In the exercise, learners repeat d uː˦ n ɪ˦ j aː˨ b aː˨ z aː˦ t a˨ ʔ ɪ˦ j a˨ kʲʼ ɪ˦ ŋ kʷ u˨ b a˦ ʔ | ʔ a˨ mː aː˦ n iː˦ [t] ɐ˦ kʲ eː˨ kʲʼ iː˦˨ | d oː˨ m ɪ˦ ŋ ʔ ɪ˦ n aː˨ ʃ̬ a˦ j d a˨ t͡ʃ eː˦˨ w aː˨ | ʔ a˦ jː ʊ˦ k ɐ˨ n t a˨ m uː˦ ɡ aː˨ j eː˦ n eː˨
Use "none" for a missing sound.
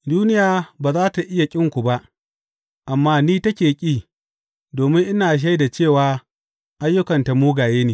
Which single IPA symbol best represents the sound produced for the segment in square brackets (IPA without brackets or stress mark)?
t